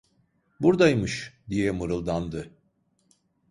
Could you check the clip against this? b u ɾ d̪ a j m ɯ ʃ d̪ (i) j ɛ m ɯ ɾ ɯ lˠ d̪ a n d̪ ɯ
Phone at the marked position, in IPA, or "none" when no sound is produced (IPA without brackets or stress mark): i